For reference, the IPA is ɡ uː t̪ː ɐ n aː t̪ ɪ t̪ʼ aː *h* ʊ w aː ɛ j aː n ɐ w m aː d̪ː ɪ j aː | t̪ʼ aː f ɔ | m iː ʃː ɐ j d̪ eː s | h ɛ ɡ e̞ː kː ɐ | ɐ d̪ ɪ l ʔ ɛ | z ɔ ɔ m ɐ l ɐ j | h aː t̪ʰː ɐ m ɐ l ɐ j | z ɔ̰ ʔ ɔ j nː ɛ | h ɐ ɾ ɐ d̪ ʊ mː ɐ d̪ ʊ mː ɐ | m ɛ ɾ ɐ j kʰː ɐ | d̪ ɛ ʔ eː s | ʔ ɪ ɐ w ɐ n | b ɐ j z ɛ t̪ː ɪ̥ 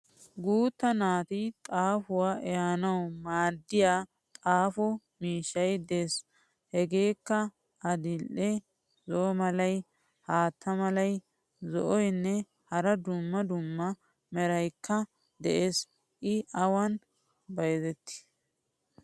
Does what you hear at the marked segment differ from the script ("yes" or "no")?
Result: yes